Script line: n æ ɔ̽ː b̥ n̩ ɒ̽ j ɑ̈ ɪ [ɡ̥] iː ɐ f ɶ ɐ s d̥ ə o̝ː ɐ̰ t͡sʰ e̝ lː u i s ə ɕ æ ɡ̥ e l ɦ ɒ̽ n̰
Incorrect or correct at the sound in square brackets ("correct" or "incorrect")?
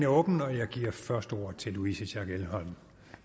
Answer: correct